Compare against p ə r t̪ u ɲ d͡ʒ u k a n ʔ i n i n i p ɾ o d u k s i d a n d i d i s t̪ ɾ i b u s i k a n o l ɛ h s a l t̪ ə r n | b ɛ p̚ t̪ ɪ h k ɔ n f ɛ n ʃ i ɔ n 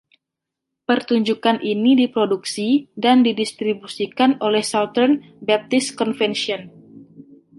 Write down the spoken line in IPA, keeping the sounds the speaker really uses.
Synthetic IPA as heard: p ə r t̪ u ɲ d͡ʒ u k a n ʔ i n i d i p ɾ o d u k s i d a n d i d i s t̪ ɾ i b u s i k a n o l ɛ h s a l t̪ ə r n | b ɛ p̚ t̪ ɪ s k ɔ n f ɛ n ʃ i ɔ n

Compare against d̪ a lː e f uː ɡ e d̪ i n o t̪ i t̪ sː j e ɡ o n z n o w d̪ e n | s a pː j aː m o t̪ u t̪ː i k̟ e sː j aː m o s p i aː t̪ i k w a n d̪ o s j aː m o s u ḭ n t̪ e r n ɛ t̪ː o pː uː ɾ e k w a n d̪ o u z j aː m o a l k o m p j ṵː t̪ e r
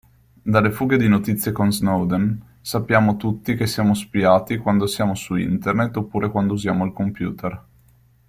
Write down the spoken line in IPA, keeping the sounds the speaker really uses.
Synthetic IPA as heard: d̪ a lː e f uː ɡ e d̪ i n o t̪ i t̪ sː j e k o n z n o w d̪ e n | s a pː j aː m o t̪ u t̪ː i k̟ e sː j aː m o s p i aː t̪ i k w a n d̪ o s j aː m o s u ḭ n t̪ e r n e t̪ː o pː uː ɾ e k w a n d̪ o u z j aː m o a l k o m p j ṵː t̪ e r

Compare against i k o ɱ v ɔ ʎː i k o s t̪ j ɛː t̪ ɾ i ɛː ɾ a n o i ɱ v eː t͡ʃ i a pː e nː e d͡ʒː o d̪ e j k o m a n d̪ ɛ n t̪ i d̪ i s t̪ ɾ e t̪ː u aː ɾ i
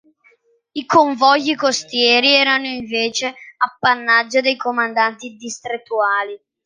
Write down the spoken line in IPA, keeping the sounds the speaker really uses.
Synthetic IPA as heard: i k o ɱ v ɔ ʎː i k o s t̪ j ɛː ɾ i ɛː ɾ a n o i ɱ v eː t͡ʃ e a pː a nː a d͡ʒː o d̪ e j k o m a n d̪ a n t̪ i d̪ i s t̪ ɾ e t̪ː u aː l i

